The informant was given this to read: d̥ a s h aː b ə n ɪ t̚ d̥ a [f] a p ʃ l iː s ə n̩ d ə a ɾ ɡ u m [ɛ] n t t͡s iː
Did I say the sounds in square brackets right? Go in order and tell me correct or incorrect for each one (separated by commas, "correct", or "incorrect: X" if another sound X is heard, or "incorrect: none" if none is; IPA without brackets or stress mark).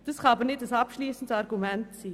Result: incorrect: s, correct